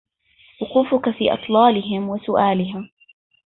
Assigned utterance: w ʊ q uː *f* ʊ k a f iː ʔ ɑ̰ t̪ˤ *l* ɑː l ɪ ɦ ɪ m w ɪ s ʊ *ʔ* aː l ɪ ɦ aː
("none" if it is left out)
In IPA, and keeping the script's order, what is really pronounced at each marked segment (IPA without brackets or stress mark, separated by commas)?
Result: f, l, ʔ